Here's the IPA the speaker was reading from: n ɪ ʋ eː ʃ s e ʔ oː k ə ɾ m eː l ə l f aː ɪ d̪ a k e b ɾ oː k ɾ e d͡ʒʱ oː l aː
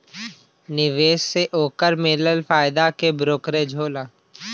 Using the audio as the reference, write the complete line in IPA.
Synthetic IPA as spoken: n ɪ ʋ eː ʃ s e ʔ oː k ə ɾ m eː l ə l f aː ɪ d̪ a k e b ɾ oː k ɾ e d͡ʒʱ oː l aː